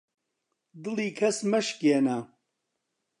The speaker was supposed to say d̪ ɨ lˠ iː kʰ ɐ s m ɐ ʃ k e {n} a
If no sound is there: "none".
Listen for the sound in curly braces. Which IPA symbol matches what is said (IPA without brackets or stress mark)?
n